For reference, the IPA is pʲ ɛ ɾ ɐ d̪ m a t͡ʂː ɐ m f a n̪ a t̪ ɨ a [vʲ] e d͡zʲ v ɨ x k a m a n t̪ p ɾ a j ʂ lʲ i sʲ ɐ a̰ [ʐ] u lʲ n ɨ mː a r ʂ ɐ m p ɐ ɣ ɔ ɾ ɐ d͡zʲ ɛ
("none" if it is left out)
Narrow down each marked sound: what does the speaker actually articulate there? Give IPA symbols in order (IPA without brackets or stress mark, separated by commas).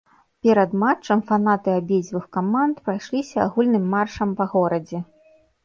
bʲ, ɣ